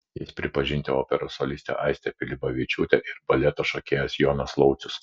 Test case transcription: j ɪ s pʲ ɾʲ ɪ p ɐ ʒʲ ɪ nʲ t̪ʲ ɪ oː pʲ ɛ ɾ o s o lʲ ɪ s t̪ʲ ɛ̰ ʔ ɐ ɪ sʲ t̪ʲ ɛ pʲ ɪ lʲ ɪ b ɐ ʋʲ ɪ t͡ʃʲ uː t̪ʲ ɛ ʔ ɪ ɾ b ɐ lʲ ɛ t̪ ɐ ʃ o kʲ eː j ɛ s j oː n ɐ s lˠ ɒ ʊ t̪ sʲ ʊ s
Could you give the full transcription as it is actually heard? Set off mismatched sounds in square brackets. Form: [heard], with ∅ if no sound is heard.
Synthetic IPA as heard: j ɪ s pʲ ɾʲ ɪ p ɐ ʒʲ ɪ nʲ t̪ʲ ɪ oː pʲ ɛ ɾ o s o lʲ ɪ s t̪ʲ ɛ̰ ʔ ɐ ɪ sʲ t̪ʲ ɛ pʲ ɪ lʲ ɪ b ɐ ʋʲ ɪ t͡ʃʲ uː t̪ʲ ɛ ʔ ɪ ɾ b ɐ lʲ ɛ t̪ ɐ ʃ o kʲ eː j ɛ s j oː n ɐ s lˠ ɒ ʊ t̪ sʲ ʊ s